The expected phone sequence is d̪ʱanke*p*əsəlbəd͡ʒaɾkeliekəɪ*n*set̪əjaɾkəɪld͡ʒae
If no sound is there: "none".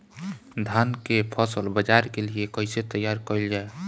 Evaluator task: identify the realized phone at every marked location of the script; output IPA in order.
pʰ, none

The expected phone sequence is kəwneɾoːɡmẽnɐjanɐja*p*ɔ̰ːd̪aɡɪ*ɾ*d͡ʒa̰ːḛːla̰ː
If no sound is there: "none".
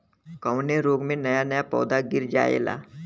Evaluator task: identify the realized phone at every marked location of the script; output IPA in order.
p, ɾ

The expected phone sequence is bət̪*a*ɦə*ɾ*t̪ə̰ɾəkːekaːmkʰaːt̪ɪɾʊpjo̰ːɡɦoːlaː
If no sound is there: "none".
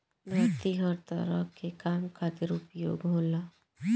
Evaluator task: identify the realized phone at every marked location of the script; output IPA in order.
i, ɾ

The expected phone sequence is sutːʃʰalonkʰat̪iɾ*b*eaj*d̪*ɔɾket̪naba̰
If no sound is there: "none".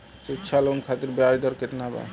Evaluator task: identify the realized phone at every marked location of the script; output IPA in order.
b, d̪

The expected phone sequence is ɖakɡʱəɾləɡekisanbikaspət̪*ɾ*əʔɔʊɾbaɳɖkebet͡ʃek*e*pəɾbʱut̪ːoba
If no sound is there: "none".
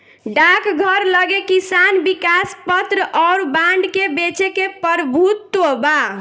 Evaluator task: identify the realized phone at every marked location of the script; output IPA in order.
ɾ, e

